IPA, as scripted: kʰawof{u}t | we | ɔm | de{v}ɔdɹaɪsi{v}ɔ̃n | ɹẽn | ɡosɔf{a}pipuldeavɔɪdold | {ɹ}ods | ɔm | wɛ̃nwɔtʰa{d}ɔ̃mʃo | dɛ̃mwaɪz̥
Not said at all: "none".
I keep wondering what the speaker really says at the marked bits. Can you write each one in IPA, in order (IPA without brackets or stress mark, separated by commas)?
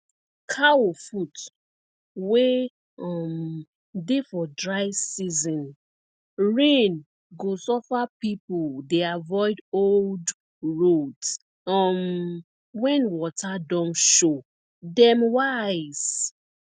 u, f, z, a, ɹ, d